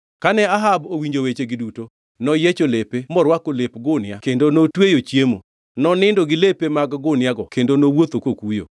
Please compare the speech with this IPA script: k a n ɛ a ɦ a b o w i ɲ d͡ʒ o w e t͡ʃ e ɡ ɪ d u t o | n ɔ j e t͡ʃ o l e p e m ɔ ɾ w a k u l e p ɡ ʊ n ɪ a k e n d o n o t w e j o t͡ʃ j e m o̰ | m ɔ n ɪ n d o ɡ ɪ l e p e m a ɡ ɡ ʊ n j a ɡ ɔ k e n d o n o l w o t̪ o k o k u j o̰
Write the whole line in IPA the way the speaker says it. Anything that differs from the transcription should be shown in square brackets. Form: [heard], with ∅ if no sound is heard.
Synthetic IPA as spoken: k a n ɛ a ɦ a b o w i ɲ d͡ʒ o w e t͡ʃ e ɡ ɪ d u t o | n ɔ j e t͡ʃ o l e p e m ɔ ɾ w a k [o] l e p ɡ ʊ n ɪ a k e n d o n o t w e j o t͡ʃ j e m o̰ | [n] ɔ n ɪ n d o ɡ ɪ l e p e m a ɡ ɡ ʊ n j a ɡ ɔ k e n d o n o [∅] w o t̪ o k o k u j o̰